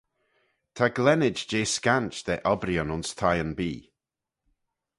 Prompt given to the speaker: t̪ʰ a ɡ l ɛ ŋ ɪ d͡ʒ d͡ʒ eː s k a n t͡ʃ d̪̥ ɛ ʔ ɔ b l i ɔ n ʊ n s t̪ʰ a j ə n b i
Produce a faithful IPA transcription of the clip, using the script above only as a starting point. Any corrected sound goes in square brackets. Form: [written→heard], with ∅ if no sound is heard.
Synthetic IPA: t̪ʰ a ɡ l ɛ [ŋ→n] ɪ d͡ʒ d͡ʒ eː s k a n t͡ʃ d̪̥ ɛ ʔ ɔ b [l→ɾ] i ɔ n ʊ n s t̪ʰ a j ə n b [i→iː]